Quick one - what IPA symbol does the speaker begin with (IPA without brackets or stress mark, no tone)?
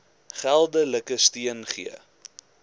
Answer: χ